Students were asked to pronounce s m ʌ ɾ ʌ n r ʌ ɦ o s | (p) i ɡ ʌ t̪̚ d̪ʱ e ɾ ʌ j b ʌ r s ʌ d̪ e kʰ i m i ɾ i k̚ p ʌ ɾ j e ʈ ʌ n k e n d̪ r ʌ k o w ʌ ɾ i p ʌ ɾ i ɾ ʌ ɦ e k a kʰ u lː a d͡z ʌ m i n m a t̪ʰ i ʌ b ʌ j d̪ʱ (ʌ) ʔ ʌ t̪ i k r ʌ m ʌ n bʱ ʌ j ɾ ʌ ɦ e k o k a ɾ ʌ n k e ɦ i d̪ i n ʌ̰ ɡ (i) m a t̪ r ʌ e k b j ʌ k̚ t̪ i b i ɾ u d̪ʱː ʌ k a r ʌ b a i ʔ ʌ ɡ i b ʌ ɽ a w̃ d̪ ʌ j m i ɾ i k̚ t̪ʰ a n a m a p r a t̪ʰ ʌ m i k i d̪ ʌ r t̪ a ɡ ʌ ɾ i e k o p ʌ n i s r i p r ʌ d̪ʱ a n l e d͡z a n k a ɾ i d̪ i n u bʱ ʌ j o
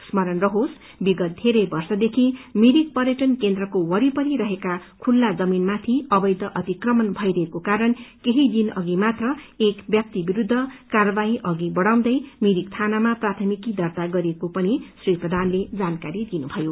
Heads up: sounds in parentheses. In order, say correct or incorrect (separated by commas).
incorrect, correct, correct